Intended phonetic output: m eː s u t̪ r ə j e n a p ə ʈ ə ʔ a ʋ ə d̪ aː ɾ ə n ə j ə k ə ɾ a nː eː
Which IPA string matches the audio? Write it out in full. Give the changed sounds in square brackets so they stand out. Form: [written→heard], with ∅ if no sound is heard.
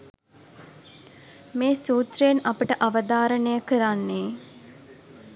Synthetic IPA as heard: m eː s [u→uː] t̪ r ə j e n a p ə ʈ ə ʔ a ʋ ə d̪ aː ɾ ə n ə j ə k ə ɾ a nː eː